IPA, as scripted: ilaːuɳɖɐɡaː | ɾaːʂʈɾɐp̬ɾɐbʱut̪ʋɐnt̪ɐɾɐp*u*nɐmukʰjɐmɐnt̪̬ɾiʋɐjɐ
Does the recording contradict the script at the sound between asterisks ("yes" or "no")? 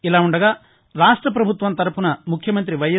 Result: no